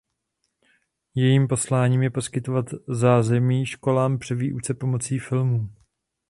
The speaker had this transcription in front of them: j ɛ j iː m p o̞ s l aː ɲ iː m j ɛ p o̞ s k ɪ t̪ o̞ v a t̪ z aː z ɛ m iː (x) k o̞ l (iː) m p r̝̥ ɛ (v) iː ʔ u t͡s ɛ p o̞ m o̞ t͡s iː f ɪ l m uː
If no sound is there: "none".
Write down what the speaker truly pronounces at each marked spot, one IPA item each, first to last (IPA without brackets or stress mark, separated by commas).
ʃ, aː, v